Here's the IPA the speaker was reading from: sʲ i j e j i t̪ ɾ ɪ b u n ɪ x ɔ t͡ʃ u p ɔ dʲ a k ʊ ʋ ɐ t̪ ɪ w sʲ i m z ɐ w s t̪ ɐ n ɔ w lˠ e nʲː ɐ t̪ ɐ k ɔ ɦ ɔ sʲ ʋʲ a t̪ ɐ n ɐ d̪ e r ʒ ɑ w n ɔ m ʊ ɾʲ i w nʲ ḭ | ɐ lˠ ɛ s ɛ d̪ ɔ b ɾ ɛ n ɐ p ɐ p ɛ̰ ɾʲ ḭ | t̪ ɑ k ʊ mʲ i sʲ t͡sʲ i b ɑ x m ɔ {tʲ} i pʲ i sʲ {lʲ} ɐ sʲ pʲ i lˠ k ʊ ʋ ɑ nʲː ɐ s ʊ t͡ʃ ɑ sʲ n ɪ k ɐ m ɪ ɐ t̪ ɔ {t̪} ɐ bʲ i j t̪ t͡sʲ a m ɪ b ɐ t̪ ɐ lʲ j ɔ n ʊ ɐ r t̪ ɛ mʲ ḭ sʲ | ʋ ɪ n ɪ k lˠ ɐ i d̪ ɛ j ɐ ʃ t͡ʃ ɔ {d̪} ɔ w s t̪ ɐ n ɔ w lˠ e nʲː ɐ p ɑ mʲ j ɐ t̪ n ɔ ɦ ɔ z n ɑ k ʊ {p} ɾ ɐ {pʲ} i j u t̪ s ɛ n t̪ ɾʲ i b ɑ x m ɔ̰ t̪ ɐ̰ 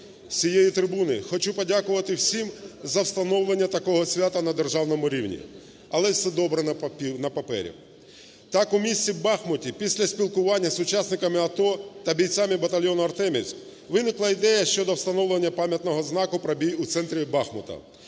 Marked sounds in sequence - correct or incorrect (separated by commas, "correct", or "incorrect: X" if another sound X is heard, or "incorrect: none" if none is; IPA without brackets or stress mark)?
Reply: correct, correct, correct, correct, correct, incorrect: bʲ